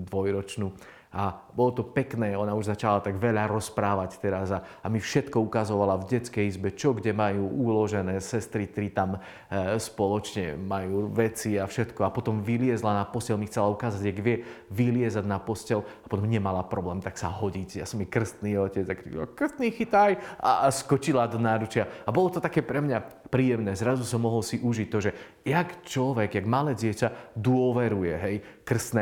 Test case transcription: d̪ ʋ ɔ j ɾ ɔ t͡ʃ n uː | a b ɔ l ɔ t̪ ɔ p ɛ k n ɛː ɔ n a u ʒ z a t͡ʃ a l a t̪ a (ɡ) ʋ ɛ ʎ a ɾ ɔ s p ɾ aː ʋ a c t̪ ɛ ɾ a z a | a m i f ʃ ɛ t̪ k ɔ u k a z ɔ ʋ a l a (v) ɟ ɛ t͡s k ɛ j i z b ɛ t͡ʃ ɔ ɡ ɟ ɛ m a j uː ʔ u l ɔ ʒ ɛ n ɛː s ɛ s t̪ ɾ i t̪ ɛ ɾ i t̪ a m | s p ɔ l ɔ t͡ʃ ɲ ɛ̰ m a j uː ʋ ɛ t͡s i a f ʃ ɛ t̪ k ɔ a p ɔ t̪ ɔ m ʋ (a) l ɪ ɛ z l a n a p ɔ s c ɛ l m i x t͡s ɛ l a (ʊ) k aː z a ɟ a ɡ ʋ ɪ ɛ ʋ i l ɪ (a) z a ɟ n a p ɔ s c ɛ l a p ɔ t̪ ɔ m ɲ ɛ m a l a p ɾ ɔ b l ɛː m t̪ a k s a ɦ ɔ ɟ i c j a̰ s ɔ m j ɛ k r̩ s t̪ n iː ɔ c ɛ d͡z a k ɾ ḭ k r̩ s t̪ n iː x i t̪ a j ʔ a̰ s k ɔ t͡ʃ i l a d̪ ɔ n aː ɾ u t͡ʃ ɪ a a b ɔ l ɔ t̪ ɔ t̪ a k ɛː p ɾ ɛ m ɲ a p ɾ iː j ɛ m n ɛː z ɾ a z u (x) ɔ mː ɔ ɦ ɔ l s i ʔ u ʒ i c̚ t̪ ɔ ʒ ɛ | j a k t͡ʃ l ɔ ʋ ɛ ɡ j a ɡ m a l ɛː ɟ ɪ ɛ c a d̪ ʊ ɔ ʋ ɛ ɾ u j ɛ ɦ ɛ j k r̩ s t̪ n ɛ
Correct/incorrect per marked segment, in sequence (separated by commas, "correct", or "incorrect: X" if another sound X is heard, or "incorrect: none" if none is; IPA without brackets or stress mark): correct, correct, incorrect: i, incorrect: u, incorrect: ɛ, incorrect: s